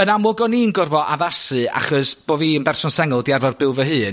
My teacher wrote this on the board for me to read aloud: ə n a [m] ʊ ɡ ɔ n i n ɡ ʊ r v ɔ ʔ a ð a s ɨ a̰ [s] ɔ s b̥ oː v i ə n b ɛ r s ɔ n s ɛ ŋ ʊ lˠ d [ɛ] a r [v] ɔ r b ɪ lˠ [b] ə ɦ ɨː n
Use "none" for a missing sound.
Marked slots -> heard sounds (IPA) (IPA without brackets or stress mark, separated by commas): m, χ, i, v, v